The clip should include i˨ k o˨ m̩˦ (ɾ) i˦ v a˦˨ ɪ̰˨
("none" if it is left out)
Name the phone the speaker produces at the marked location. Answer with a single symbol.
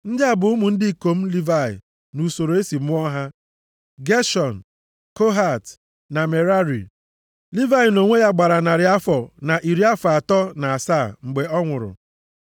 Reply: l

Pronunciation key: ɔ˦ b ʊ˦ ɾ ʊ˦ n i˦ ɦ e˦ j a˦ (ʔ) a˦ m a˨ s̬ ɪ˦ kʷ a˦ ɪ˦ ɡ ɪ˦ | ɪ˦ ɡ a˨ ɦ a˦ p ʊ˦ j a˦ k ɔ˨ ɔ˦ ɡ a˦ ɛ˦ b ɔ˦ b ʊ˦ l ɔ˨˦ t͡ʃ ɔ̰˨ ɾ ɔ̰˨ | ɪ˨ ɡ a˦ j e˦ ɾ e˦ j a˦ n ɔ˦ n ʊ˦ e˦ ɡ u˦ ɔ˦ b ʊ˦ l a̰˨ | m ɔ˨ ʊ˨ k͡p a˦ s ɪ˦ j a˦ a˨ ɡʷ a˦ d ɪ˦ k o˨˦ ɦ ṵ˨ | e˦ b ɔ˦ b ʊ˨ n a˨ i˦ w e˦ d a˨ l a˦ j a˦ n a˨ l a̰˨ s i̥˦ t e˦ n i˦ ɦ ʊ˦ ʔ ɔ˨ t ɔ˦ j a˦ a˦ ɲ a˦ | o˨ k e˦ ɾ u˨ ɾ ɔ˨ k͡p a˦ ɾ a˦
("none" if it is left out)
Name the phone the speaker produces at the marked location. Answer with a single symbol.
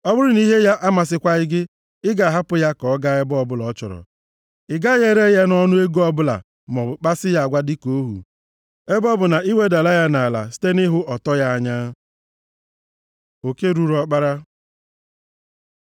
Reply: ʔ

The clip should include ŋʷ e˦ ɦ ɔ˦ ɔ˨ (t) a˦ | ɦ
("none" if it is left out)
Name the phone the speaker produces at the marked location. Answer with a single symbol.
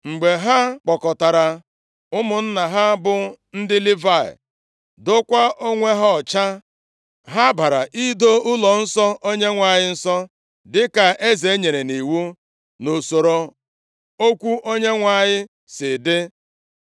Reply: t͡ʃ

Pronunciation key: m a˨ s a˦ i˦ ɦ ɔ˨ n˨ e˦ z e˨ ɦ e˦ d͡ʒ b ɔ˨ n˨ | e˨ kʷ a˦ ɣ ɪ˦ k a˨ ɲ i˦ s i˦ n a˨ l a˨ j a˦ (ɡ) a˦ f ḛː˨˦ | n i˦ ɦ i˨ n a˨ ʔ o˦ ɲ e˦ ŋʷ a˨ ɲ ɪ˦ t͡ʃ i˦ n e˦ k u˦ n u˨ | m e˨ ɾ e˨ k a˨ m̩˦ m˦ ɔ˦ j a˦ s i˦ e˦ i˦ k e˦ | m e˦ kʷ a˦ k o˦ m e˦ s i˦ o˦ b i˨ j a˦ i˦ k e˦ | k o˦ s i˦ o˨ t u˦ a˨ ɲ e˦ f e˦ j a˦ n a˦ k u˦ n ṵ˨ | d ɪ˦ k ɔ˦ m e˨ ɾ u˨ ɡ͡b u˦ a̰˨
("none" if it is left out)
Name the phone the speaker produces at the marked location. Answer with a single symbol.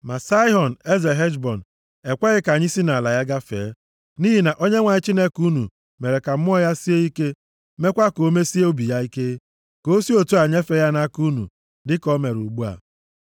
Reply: ɡ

